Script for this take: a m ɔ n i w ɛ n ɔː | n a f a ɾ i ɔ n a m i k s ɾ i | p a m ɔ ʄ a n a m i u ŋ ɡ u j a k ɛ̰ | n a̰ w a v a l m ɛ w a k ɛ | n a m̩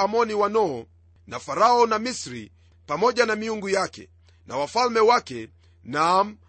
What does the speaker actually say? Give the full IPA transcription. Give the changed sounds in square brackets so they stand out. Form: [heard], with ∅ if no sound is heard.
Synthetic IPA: a m ɔ n i w [a] n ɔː | n a f a ɾ [a] ɔ n a m i [∅] s ɾ i | p a m ɔ ʄ a n a m i u ŋ ɡ u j a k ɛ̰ | n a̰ w a [f] a l m ɛ w a k ɛ | n a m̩